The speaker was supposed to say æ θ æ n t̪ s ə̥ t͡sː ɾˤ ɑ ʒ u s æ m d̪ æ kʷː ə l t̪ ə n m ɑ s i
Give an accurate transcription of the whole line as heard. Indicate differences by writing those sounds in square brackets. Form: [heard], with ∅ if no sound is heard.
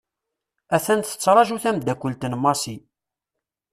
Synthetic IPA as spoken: æ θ æ n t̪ [θ] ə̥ t͡sː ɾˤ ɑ ʒ u [θ] æ m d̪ æ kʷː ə l t̪ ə n m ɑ s i